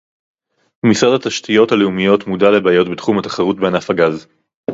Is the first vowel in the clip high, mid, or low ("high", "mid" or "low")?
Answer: high